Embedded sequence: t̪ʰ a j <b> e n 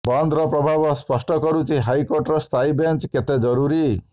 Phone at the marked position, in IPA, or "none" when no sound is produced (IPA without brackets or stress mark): b